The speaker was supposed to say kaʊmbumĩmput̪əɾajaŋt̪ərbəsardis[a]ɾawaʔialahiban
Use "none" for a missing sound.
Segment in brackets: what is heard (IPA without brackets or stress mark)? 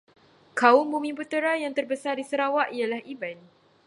ə